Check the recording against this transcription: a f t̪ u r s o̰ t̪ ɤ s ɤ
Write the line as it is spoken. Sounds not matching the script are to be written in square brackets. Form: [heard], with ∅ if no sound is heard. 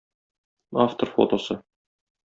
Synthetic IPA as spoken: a f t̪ [o] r [f] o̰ t̪ [o] s ɤ

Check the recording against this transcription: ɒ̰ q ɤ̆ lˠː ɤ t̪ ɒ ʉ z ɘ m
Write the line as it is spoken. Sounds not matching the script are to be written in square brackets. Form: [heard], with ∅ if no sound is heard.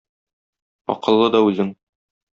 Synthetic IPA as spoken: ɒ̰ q ɤ̆ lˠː ɤ [d̪] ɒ ʉ z ɘ [ŋ]

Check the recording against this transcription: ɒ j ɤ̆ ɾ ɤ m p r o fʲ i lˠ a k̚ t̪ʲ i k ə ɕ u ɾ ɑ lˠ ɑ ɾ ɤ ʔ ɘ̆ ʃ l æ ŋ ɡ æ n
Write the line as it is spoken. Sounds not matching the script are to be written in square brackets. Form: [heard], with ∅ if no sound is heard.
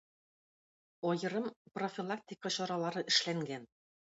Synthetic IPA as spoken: ɒ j ɤ̆ ɾ ɤ m p r o fʲ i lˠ a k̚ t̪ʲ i k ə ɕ [ɒ] ɾ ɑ lˠ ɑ ɾ ɤ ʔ ɘ̆ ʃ l æ ŋ ɡ æ n

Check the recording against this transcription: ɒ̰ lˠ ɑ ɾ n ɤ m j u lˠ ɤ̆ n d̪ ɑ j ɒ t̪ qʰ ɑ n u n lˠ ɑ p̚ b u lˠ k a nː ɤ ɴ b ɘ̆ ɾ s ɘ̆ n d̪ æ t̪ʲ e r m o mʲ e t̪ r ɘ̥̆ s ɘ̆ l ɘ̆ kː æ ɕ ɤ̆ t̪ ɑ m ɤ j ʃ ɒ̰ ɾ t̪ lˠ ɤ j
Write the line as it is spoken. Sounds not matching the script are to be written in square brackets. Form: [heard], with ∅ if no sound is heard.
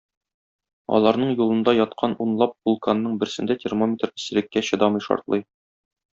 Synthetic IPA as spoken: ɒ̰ lˠ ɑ ɾ n ɤ [ɴ] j u lˠ ɤ̆ n d̪ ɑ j ɒ t̪ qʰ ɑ n u n lˠ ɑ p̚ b u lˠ k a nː ɤ ɴ b ɘ̆ ɾ s ɘ̆ n d̪ æ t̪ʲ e r m o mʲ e t̪ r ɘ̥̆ s ɘ̆ l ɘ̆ kː æ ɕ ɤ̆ [d̪] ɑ m ɤ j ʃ ɒ̰ ɾ t̪ lˠ ɤ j

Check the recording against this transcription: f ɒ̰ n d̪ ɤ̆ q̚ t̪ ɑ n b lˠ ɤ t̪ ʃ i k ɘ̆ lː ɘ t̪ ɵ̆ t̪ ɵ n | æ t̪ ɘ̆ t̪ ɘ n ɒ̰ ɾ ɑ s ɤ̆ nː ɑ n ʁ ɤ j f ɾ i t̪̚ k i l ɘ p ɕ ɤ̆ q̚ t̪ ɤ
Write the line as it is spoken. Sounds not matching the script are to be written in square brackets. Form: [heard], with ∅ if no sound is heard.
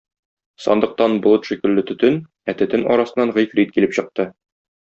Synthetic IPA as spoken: [s] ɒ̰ n d̪ ɤ̆ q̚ t̪ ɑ n b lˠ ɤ t̪ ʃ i k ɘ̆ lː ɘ t̪ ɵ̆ t̪ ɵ n | æ t̪ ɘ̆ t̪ ɘ n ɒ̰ ɾ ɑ s ɤ̆ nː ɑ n ʁ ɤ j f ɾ i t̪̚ k i l ɘ p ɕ ɤ̆ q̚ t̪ ɤ

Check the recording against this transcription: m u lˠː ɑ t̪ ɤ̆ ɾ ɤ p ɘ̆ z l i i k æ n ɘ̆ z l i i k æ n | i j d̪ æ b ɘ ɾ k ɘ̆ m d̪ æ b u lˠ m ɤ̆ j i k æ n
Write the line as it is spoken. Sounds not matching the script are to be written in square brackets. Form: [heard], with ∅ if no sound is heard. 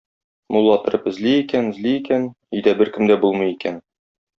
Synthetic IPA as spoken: m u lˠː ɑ t̪ ɤ̆ ɾ ɤ p ɘ̆ z l i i k æ n ɘ̆ z l i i k æ n | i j d̪ æ b ɘ ɾ k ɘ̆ m d̪ æ b u lˠ m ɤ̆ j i k æ n

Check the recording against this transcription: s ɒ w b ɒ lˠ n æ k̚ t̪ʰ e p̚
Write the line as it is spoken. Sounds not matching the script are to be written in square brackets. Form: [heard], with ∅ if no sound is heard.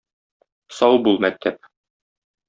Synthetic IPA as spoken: s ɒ w b [u] lˠ [m] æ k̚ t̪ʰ [æ] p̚

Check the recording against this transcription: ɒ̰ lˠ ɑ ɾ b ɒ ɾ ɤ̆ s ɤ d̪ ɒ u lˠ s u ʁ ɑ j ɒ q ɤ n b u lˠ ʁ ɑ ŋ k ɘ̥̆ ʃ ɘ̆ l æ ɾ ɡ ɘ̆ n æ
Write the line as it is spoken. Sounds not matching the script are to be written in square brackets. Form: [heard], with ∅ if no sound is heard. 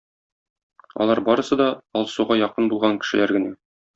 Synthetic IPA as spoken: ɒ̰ lˠ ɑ ɾ b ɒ ɾ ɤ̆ s ɤ d̪ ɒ [ɒ] lˠ s u ʁ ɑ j ɒ q ɤ n b u lˠ ʁ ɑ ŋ k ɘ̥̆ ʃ ɘ̆ l æ ɾ ɡ ɘ̆ n æ

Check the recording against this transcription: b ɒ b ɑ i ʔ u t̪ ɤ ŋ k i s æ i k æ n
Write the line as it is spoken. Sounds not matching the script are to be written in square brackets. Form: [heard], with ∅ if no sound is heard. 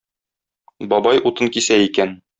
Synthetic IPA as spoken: b ɒ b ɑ [j] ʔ u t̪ ɤ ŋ k i s æ i k æ n

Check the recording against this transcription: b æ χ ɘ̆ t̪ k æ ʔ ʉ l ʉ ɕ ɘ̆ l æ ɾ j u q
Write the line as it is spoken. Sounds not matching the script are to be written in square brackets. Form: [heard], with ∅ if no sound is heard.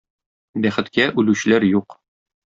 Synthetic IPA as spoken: b æ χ ɘ̆ t̪ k æ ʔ ʉ l ʉ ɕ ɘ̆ l æ ɾ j u q

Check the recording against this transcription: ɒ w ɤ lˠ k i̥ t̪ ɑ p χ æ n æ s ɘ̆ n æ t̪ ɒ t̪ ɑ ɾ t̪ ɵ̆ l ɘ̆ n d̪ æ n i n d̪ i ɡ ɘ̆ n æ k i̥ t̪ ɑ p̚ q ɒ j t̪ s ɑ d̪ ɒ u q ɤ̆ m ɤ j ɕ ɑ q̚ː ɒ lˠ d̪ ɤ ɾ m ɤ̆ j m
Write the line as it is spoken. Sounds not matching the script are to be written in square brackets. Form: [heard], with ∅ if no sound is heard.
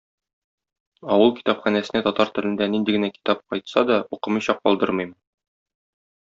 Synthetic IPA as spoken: ɒ w ɤ lˠ k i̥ t̪ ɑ p χ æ n æ s ɘ̆ n æ t̪ ɒ t̪ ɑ ɾ t̪ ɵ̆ l ɘ̆ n d̪ æ n i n d̪ i ɡ ɘ̆ n æ k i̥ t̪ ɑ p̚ q ɒ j t̪ s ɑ d̪ ɒ u q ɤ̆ m ɤ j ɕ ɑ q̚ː ɒ lˠ d̪ ɤ ɾ m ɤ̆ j m

